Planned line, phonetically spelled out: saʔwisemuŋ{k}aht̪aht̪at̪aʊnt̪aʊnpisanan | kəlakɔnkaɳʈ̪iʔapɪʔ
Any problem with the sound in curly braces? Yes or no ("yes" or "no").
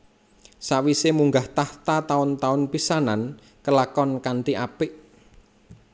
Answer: yes